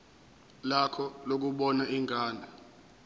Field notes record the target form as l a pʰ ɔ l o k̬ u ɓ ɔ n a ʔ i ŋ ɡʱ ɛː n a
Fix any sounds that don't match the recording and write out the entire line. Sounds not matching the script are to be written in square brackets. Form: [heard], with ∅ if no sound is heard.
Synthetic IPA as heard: l a [kʰ] ɔ l o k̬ u ɓ ɔ n a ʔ i ŋ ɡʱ [aː] n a